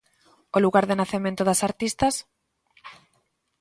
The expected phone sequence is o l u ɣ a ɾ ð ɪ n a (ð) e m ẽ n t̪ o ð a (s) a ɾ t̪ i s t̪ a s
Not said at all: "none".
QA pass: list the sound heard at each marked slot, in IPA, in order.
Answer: θ, s

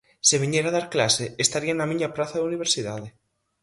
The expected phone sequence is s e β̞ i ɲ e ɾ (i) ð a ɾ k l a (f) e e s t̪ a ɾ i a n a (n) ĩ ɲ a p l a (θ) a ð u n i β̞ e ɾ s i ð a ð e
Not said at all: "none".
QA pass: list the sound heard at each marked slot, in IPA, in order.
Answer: a, s, m, θ

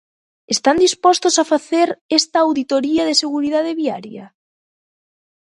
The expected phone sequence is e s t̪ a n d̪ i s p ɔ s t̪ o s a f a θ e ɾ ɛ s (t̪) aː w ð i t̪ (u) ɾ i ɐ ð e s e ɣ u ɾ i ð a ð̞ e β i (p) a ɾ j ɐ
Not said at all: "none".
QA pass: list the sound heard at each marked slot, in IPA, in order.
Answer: t̪, o, none

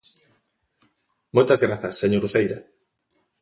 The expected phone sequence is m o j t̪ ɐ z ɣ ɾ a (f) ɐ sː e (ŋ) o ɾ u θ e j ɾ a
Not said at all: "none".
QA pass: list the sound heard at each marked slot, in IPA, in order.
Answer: θ, ɲ

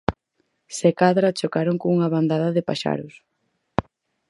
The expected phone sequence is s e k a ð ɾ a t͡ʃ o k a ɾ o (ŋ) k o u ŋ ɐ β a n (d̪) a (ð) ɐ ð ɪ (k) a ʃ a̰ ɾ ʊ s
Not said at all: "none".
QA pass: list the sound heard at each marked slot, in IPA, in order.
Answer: ŋ, d̪, ð, p

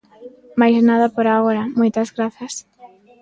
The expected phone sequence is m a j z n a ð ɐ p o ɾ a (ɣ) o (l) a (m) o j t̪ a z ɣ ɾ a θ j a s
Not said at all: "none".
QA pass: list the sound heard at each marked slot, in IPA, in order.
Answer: ɣ, ɾ, m

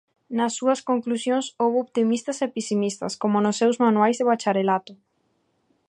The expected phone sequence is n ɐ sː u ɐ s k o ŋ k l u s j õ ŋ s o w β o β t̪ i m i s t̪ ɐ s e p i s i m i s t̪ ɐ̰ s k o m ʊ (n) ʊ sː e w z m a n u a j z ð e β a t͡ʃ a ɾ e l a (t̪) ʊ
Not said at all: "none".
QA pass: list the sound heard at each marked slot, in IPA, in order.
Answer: n, t̪

